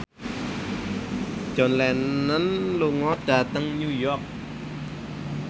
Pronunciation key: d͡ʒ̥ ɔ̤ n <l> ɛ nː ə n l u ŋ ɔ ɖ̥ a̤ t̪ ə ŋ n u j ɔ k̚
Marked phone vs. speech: correct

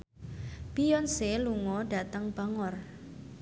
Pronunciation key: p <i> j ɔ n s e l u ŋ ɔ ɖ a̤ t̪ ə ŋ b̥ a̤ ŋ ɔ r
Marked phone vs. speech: correct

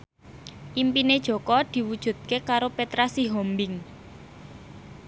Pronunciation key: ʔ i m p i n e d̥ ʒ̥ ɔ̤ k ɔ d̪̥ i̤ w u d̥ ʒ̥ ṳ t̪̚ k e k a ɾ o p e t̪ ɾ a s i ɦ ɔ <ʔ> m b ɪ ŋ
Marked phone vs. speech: incorrect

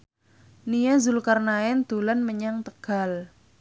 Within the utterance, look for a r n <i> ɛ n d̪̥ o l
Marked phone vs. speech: incorrect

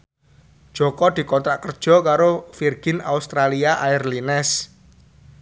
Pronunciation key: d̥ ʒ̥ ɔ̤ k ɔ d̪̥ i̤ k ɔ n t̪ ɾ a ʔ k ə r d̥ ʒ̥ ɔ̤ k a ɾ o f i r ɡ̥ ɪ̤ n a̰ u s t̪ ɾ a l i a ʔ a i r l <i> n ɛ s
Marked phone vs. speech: correct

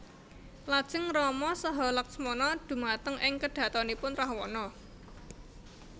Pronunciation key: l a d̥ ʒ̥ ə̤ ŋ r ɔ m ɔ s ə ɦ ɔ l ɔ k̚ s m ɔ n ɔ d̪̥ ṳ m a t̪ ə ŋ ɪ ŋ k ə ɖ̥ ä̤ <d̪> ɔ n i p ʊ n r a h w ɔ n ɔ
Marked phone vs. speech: incorrect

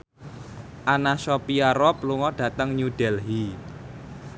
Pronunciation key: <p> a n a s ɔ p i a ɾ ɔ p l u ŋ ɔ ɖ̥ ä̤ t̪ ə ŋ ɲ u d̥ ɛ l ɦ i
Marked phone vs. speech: incorrect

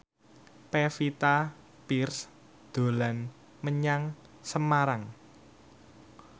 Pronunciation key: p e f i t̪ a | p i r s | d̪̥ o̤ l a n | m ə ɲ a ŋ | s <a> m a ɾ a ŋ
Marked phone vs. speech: incorrect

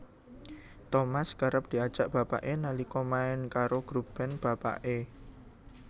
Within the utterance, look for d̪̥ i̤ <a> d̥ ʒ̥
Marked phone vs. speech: correct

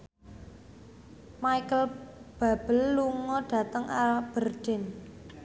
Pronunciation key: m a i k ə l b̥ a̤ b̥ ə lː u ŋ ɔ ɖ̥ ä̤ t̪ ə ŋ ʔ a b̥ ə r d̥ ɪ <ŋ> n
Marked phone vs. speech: incorrect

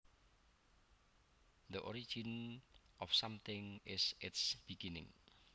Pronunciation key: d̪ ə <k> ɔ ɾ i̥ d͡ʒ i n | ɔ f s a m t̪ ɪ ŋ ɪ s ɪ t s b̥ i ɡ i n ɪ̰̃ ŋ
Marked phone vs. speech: incorrect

